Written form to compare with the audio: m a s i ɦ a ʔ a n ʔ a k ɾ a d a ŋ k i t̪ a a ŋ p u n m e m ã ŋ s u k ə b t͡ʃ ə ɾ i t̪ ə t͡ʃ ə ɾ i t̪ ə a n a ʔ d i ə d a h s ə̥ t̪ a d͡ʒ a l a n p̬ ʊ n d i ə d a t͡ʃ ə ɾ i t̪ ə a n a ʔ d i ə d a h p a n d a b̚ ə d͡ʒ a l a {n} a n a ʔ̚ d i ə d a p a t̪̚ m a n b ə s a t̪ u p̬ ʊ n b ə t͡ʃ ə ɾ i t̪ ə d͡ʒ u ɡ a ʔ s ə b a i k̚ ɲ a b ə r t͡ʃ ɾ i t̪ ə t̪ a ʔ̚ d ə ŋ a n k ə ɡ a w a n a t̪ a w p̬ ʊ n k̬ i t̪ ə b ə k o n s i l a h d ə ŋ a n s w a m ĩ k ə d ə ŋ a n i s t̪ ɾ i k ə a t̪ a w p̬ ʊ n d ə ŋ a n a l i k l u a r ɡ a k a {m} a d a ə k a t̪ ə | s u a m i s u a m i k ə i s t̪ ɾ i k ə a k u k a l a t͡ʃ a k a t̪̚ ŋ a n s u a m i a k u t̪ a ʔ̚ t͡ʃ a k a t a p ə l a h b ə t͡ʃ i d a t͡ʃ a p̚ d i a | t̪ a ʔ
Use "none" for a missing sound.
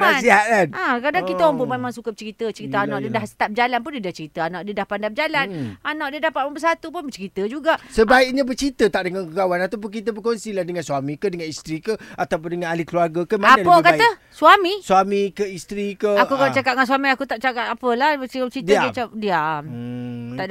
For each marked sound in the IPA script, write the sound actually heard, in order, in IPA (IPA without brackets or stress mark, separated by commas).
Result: n, m